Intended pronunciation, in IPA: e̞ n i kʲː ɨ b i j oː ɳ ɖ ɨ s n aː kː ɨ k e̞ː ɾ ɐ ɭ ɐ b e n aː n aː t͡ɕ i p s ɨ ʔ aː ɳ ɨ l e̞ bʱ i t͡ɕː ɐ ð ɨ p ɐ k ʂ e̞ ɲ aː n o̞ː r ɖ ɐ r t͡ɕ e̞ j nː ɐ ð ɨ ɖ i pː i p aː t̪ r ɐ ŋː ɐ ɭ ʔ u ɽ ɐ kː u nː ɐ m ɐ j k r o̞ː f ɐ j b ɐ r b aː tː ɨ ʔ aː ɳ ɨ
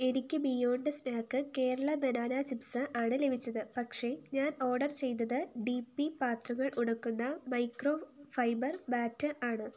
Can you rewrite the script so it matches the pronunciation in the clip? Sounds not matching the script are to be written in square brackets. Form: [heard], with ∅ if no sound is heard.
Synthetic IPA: e̞ n i kʲː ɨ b i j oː ɳ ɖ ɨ s n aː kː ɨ k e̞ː ɾ ɐ ɭ ɐ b e n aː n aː t͡ɕ i p s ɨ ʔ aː ɳ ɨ l e̞ bʱ i t͡ɕː ɐ ð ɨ p ɐ k ʂ e̞ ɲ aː n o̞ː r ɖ ɐ r t͡ɕ e̞ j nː ɐ ð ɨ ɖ i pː i p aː t̪ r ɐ ŋː ɐ ɭ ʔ u ɽ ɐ kː u nː ɐ m ɐ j k r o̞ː f ɐ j b ɐ r b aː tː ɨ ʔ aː ɳ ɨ